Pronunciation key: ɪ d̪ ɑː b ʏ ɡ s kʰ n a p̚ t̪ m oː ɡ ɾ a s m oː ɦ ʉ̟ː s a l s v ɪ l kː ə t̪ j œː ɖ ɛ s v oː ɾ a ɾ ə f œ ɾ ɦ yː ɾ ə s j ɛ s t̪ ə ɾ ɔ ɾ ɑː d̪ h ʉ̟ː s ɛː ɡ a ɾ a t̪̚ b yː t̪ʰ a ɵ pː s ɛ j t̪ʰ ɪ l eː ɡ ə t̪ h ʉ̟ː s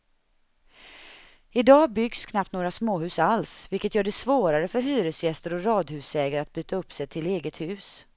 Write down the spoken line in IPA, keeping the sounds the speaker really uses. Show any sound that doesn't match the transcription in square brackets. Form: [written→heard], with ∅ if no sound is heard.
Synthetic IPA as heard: ɪ d̪ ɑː b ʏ ɡ s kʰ n a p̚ t̪ [m→n] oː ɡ ɾ a s m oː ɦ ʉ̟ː s a l s v ɪ l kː ə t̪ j œː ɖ ɛ s v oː ɾ a ɾ ə f œ ɾ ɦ yː ɾ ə s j ɛ s t̪ ə ɾ ɔ ɾ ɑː d̪ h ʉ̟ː s ɛː ɡ a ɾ a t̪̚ b yː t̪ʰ a ɵ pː s ɛ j t̪ʰ ɪ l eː ɡ ə t̪ h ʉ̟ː s